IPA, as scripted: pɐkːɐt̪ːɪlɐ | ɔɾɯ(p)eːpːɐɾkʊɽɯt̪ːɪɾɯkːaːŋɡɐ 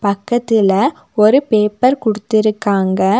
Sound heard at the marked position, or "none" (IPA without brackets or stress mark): p